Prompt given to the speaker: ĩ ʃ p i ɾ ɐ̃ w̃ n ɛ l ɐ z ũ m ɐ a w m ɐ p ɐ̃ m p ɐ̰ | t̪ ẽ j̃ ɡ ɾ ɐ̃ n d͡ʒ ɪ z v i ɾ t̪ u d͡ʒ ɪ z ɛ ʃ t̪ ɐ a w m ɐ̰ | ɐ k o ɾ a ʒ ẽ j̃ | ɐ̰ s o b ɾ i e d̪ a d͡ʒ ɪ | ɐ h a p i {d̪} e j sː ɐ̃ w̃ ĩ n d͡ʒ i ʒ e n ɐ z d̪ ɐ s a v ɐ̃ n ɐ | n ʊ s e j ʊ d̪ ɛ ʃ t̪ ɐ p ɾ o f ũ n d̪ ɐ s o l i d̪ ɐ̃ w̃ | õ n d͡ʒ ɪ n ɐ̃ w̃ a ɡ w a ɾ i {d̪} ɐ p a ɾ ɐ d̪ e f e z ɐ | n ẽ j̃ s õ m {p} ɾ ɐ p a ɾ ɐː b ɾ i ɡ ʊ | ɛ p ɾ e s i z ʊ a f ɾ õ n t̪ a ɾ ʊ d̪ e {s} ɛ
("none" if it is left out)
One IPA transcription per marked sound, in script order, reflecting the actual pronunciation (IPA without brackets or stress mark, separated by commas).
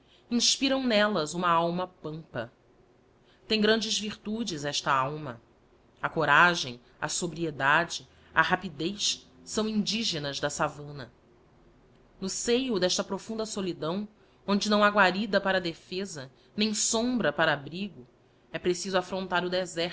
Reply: d̪, d̪, b, z